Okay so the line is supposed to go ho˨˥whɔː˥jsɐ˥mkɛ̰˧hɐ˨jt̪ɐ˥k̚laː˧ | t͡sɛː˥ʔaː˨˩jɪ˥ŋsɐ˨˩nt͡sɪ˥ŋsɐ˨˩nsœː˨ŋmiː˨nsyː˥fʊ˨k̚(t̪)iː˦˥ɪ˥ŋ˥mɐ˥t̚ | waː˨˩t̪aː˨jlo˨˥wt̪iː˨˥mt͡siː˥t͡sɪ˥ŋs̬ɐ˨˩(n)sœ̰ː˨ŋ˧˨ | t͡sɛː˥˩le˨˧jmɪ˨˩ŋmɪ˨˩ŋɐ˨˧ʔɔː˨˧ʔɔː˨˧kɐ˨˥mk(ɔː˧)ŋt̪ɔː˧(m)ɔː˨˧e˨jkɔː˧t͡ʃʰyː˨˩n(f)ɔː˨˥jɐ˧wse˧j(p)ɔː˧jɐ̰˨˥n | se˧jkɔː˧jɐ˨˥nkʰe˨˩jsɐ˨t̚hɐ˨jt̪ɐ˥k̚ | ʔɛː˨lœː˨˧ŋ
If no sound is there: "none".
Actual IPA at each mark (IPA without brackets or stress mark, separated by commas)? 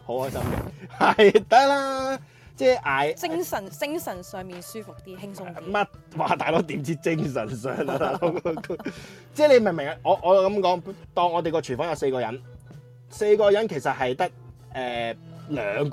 t̪, n, ɔː˨˥, ŋ, f, k